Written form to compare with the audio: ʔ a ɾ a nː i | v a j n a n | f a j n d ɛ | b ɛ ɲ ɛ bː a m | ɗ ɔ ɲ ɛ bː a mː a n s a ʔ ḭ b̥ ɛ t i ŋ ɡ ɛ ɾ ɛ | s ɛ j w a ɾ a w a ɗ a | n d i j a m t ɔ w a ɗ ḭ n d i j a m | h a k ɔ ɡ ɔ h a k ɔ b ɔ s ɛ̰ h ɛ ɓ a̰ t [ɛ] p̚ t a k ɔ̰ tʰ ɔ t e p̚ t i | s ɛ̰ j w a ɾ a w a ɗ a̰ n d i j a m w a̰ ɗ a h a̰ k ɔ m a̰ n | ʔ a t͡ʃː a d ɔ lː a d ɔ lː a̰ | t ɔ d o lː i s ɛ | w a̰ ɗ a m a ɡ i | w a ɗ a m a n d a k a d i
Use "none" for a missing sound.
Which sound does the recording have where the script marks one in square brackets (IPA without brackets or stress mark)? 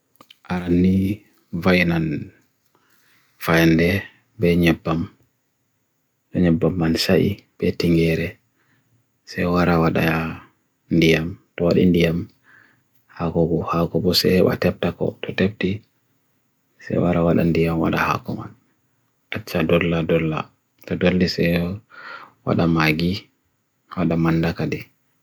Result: ɛ